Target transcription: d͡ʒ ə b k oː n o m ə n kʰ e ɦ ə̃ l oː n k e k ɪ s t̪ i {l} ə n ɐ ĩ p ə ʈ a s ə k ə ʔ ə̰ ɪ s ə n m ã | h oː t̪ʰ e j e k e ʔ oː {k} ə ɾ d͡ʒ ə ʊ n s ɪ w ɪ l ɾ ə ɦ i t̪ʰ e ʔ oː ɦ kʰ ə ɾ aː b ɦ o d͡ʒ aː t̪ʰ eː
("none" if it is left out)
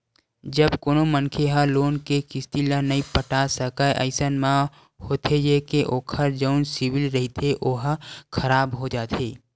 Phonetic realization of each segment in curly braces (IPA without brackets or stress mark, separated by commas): l, kʰ